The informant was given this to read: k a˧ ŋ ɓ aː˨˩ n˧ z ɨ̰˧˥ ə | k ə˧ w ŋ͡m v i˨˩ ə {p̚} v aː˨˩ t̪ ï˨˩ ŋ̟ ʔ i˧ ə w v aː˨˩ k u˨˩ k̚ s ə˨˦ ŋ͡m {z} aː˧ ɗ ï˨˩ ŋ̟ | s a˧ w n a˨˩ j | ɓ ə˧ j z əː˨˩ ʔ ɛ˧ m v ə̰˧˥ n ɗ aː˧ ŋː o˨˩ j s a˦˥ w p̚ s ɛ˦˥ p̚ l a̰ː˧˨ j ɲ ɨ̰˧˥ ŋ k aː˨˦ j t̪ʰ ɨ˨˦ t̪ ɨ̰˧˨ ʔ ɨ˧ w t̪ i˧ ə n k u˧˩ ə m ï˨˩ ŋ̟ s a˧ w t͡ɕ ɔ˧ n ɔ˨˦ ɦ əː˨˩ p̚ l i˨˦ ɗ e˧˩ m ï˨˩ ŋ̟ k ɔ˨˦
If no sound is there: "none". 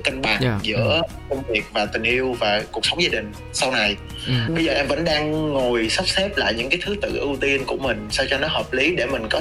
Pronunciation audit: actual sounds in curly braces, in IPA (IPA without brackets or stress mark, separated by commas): k̚, z